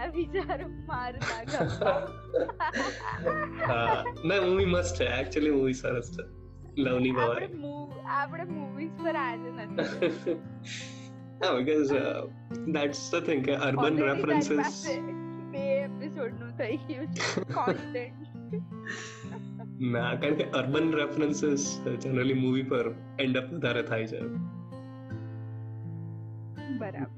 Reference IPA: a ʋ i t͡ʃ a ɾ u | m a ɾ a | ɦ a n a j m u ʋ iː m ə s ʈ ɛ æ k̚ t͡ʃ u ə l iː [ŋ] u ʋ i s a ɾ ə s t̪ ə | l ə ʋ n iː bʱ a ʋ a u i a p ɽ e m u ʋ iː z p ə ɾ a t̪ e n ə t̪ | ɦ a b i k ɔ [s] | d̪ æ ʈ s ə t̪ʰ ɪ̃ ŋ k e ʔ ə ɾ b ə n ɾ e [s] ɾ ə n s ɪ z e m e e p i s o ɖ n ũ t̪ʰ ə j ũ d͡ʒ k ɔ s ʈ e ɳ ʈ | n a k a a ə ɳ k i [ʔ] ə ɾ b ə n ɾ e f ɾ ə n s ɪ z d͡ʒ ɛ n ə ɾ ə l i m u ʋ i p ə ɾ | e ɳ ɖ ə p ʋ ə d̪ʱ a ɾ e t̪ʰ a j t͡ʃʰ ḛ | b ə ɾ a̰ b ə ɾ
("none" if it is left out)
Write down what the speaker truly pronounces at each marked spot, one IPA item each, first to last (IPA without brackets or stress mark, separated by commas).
m, z, f, ʔ